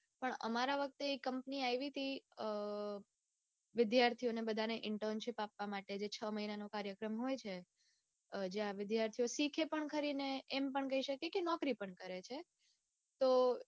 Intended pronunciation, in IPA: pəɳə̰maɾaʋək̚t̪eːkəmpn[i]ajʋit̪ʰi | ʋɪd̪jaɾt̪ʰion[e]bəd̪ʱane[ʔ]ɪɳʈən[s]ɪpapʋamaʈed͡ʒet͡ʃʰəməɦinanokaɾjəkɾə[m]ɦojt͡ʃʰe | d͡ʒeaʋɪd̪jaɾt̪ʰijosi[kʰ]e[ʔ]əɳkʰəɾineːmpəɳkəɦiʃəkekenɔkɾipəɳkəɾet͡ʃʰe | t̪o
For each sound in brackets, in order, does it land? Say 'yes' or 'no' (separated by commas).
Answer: yes, yes, yes, no, yes, yes, no